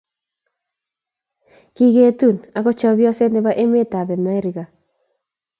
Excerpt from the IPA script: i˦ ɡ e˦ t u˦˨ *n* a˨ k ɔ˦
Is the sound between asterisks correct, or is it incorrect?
correct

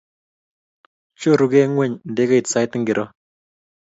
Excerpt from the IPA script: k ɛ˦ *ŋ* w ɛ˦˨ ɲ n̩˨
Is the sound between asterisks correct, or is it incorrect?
correct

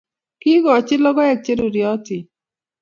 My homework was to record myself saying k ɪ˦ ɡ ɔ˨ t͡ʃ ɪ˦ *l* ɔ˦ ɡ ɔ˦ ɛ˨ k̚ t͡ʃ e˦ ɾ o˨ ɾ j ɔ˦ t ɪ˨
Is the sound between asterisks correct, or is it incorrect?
correct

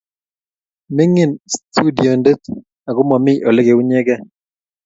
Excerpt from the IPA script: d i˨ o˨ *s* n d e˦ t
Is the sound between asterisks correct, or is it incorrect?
incorrect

